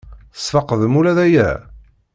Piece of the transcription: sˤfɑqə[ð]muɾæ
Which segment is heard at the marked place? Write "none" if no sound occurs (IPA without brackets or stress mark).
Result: ð